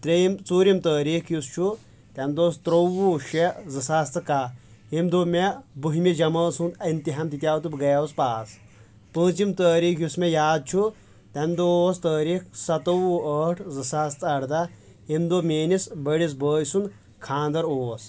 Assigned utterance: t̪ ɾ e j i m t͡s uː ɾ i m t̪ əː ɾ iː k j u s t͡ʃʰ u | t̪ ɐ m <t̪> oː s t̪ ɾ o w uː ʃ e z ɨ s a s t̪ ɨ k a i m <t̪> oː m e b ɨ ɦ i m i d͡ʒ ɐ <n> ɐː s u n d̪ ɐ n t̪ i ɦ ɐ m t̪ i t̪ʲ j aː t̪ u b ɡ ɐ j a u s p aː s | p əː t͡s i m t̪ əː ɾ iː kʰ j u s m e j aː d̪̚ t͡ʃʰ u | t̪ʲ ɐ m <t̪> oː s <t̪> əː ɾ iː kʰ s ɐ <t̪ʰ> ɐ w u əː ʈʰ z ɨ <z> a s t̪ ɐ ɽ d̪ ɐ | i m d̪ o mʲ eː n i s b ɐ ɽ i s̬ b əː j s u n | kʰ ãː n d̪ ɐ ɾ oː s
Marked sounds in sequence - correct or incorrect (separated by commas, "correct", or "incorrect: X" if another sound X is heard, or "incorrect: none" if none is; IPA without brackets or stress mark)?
incorrect: d̪, incorrect: d̪, incorrect: m, incorrect: d̪, correct, incorrect: t̪, incorrect: s